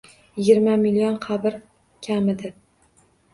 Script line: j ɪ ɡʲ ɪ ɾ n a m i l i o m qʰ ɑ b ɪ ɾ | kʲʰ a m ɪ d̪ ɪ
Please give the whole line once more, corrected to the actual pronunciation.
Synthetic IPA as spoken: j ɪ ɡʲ ɪ ɾ m a m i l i o n qʰ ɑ b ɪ ɾ | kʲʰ a m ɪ d̪ ɪ

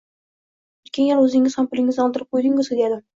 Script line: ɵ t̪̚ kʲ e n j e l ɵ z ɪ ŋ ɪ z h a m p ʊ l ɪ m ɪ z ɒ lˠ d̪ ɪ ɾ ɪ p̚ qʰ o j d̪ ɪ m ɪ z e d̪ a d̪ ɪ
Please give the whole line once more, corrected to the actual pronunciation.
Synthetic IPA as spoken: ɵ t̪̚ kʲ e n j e l ɵ z ɪ ŋ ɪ z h a m p ʊ l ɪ ŋ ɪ z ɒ lˠ d̪ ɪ ɾ ɪ p̚ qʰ o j d̪ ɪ ŋ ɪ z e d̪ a d̪ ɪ

